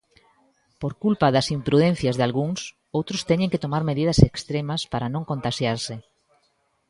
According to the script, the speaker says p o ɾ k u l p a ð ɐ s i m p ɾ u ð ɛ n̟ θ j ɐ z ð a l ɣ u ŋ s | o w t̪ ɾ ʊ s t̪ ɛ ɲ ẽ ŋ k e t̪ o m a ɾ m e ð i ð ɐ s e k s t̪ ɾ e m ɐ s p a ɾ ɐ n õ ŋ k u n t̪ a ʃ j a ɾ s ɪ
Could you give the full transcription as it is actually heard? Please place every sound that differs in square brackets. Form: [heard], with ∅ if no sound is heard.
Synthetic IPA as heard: p o ɾ k u l p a ð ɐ s i m p ɾ u ð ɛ n̟ θ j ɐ z ð a l ɣ u ŋ s | o w t̪ ɾ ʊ s t̪ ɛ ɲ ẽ ŋ k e t̪ o m a ɾ m e ð i ð ɐ s e k s t̪ ɾ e m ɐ s p a ɾ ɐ n õ ŋ k [o] n t̪ a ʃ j a ɾ s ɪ